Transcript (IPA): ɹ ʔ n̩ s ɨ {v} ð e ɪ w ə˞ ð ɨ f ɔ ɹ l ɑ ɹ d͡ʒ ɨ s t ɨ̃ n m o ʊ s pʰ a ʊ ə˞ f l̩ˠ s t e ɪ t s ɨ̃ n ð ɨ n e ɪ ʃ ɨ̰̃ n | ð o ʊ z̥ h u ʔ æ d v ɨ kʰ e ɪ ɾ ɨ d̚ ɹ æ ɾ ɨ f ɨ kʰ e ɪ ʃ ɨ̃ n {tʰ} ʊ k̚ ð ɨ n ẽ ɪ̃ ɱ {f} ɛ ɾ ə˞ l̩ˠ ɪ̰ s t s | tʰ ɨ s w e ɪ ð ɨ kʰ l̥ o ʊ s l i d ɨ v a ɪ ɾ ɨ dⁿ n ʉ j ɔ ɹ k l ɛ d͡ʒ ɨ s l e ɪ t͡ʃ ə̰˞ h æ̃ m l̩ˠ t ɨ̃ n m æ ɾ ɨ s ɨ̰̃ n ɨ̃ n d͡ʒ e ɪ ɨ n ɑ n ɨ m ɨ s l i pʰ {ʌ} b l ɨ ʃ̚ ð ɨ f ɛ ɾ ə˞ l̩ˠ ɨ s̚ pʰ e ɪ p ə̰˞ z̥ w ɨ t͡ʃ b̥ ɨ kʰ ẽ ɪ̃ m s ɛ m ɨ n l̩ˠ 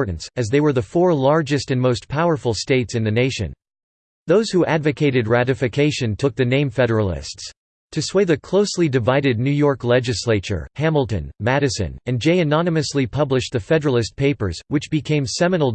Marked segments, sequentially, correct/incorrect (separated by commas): incorrect, correct, correct, correct